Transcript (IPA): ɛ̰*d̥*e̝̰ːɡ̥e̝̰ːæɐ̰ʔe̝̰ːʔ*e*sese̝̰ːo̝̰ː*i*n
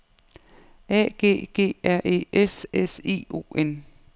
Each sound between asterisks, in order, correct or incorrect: incorrect, correct, incorrect

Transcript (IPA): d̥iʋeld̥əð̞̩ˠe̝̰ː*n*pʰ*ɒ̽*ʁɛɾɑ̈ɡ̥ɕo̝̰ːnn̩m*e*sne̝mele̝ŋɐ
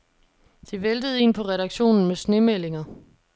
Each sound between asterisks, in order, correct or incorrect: correct, correct, correct

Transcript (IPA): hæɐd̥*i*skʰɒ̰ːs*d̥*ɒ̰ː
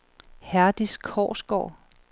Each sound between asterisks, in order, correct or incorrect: correct, incorrect

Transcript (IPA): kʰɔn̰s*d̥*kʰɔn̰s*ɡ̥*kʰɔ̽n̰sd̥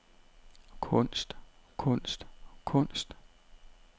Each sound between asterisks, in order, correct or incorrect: correct, incorrect

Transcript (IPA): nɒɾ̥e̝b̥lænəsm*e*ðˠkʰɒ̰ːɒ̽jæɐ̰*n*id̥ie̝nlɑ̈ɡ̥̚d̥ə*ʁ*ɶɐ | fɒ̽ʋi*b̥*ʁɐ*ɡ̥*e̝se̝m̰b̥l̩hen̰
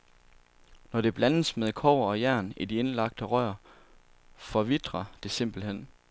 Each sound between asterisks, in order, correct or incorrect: correct, correct, correct, incorrect, incorrect

